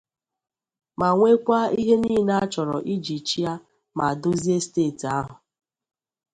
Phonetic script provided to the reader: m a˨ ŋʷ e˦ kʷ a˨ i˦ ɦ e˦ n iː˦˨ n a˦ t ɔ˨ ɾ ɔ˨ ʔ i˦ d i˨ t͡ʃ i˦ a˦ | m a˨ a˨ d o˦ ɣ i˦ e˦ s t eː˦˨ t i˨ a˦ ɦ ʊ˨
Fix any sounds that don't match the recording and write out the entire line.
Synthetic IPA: m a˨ ŋʷ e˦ kʷ a˦ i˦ ɦ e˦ n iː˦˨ n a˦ t͡ʃ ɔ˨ ɾ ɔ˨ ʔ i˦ d͡ʒ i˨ t͡ʃ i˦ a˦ | m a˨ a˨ d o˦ z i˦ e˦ s t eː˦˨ t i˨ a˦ ɦ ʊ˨

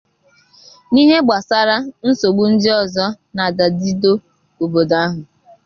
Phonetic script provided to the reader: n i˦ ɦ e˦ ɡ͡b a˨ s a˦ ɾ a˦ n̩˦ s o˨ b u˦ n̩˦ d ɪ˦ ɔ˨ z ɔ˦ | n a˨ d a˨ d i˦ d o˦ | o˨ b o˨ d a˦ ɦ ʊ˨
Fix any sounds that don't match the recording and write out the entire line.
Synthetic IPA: n i˦ ɦ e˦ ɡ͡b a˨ s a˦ ɾ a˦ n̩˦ s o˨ ɡ͡b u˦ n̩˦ d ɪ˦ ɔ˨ z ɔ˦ | n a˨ d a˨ d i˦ d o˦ | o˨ b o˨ d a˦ ɦ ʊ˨

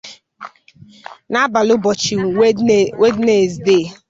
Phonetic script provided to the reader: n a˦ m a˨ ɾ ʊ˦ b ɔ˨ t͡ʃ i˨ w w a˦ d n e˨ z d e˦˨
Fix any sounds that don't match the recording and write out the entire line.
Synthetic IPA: n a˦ b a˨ l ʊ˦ b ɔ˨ t͡ʃ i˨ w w e˦ d n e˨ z d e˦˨

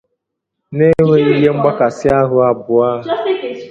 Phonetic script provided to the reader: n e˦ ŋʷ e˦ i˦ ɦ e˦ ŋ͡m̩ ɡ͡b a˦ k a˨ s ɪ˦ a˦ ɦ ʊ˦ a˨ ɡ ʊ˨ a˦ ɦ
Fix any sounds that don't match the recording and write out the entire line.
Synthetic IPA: n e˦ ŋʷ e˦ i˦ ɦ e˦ ŋ͡m̩ ɡ͡b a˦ k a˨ s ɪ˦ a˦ ɦ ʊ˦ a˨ b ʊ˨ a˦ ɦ

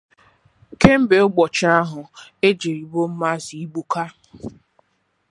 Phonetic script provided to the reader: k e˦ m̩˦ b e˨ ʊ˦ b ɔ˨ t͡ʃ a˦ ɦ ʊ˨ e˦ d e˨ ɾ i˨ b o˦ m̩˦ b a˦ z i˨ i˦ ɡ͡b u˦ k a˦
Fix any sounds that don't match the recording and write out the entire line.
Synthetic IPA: k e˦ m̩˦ b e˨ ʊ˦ ɡ͡b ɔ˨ t͡ʃ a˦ ɦ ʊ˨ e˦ d͡ʒ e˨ ɾ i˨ b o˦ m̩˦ m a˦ z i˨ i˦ ɡ͡b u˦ k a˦

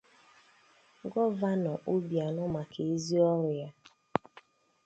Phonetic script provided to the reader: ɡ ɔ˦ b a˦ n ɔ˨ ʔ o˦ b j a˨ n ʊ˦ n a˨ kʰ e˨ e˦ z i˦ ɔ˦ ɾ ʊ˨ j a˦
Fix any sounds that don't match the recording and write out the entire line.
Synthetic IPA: ɡ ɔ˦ v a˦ n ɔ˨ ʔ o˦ b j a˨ n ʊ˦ m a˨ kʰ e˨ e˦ z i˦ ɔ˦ ɾ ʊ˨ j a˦

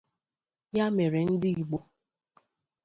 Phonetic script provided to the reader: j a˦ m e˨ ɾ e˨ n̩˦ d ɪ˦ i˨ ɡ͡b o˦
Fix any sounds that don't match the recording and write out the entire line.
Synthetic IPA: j a˦ m e˨ ɾ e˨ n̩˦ d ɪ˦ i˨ ɡ͡b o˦

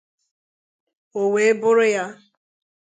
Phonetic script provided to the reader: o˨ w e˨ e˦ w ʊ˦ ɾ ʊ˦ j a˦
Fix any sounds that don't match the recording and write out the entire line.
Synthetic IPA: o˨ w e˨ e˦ b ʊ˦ ɾ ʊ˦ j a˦

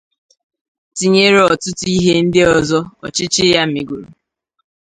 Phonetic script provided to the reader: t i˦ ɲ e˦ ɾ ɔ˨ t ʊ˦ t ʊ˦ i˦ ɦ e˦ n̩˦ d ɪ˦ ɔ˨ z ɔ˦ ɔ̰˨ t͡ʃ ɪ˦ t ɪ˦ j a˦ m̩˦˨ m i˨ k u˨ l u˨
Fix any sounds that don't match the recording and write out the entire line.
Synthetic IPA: t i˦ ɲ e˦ ɾ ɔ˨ t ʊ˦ t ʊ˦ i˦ ɦ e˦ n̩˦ d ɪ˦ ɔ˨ z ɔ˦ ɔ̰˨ t͡ʃ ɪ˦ t͡ʃ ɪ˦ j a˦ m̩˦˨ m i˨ ɡ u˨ ɾ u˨

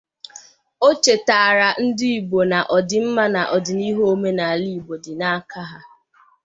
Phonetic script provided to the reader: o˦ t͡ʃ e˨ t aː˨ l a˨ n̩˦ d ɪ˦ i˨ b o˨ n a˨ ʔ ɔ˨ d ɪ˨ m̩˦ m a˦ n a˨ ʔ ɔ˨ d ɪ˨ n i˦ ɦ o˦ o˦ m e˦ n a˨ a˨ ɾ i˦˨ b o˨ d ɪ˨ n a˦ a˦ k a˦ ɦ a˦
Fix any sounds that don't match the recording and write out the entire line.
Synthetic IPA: o˦ t͡ʃ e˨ t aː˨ ɾ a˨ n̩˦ d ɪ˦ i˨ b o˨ n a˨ ʔ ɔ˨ d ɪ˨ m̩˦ m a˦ n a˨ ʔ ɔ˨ d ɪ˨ n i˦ ɦ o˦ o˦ m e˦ n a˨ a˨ l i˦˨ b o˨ d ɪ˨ n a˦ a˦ k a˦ ɦ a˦

